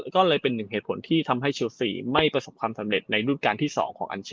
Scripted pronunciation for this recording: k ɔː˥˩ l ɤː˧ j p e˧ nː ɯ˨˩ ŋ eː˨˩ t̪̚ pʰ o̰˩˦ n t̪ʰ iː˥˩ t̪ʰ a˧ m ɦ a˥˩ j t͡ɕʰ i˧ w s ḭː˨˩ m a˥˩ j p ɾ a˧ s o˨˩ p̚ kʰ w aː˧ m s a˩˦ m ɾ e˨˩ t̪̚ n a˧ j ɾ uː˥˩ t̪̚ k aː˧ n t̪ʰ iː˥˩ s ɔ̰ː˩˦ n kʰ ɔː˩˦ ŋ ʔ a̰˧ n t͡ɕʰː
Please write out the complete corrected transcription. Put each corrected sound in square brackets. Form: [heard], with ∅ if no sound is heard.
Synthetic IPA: k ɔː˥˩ l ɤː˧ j p e˧ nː ɯ˨˩ ŋ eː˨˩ t̪̚ pʰ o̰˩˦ n t̪ʰ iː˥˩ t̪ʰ a˧ m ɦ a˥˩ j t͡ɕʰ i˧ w s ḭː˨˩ m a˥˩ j p ɾ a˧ s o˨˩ p̚ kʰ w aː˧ m s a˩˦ m ɾ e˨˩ t̪̚ n a˧ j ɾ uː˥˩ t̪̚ k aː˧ n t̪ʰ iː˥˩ s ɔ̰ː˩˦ [ŋ] kʰ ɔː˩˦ ŋ ʔ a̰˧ n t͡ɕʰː